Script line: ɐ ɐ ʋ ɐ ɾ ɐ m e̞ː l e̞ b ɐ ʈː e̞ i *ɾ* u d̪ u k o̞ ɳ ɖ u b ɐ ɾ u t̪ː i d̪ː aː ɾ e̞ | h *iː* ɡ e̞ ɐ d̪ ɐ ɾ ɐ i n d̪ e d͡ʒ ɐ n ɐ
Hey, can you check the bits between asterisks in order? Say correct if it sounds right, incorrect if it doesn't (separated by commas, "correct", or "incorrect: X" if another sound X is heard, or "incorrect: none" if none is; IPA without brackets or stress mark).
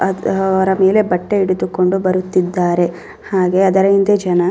incorrect: ɽ, incorrect: aː